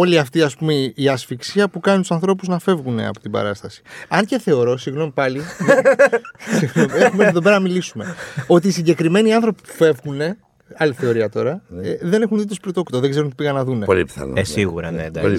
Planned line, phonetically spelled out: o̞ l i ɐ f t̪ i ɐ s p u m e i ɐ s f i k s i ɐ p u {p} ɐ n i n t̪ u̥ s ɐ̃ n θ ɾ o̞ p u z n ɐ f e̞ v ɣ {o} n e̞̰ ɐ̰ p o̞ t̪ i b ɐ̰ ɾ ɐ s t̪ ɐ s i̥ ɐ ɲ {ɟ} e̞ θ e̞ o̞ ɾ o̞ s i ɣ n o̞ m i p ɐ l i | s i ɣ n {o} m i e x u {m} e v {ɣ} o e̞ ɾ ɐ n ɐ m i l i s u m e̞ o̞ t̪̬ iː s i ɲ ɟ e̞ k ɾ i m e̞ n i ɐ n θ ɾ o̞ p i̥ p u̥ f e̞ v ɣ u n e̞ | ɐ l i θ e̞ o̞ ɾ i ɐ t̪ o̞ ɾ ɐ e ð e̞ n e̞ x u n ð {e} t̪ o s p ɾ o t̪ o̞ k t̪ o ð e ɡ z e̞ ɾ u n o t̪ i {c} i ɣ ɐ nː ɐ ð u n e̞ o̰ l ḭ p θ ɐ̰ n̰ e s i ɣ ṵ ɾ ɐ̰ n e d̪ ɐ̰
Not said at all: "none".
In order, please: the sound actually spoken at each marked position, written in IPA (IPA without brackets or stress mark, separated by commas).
k, u, c, o, m, ð, i, p